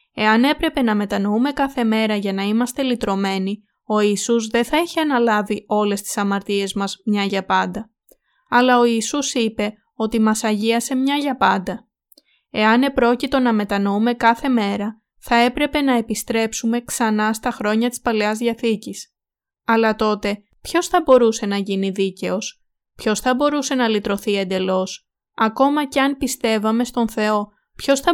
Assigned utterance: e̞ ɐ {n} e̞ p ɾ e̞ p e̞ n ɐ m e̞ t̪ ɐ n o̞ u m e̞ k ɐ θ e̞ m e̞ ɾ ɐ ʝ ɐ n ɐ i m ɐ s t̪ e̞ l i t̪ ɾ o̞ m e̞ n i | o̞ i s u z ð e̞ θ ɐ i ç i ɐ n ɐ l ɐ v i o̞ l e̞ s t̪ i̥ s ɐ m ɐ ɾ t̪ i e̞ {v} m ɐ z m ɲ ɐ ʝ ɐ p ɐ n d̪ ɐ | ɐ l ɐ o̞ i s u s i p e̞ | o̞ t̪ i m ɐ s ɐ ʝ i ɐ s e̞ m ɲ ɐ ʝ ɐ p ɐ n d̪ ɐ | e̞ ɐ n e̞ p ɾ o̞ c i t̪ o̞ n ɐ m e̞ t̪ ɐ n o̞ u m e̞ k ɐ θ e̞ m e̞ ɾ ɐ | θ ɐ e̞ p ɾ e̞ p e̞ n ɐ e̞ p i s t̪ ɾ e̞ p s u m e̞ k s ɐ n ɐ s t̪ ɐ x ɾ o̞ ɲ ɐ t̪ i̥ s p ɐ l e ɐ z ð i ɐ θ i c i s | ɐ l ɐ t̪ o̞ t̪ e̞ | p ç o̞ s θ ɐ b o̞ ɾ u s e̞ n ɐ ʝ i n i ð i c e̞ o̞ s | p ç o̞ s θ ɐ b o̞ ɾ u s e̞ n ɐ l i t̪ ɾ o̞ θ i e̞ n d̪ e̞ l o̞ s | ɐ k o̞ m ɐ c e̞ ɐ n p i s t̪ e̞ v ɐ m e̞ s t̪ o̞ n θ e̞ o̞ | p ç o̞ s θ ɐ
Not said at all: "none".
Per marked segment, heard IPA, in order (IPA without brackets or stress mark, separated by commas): n, z